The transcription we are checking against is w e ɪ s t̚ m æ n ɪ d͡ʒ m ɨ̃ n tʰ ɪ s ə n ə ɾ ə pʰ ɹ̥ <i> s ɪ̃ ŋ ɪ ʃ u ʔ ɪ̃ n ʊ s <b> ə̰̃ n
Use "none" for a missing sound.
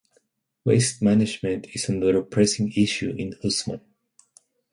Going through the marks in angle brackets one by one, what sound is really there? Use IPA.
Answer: ɛ, m

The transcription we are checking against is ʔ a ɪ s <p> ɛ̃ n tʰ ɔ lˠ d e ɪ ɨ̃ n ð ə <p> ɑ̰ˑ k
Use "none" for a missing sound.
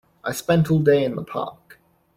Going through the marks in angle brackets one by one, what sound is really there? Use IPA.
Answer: p, pʰ

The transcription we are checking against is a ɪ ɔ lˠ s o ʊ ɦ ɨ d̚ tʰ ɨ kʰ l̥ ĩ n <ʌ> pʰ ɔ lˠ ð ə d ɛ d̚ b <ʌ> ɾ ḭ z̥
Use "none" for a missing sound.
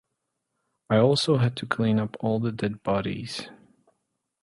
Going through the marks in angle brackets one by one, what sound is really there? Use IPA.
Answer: ʌ, ɑ

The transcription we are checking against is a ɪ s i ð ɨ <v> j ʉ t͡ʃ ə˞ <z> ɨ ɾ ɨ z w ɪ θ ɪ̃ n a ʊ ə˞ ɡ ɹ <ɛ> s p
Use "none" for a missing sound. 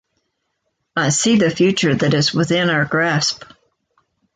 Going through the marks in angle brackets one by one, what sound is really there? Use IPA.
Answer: f, ð, æ

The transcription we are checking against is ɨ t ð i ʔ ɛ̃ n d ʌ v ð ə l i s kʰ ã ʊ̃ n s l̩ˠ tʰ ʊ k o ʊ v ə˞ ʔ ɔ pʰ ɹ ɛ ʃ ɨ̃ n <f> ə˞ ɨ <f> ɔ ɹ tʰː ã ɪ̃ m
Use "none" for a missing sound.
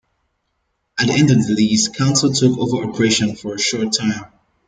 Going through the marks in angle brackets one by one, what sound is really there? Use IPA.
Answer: f, ʃ

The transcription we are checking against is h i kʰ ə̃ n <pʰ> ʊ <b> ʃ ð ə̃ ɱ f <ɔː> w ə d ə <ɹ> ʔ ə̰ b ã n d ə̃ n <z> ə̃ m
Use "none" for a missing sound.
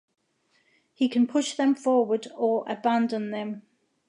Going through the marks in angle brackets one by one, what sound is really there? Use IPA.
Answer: pʰ, none, ɔː, ɹ, ð

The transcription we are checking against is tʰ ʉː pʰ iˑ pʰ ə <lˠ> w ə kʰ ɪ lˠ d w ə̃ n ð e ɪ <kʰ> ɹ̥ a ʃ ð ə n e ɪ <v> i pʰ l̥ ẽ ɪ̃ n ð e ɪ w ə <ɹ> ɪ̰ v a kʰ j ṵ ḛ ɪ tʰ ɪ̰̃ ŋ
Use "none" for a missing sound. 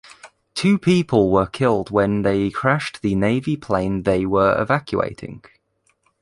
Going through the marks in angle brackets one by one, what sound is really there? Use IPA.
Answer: lˠ, kʰ, v, ɹ

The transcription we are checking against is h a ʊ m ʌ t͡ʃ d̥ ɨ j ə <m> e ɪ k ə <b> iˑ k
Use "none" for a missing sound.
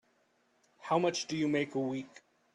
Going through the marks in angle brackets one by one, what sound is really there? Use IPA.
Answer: m, w

